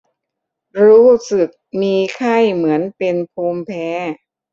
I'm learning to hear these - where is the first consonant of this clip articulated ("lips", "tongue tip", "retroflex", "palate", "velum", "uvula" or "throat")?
tongue tip